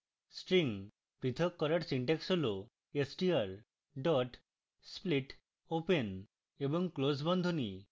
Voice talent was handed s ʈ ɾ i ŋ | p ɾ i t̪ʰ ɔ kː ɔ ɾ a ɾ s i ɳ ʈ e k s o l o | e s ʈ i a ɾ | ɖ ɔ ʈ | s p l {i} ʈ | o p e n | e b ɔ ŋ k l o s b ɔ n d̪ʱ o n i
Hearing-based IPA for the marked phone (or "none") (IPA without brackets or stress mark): i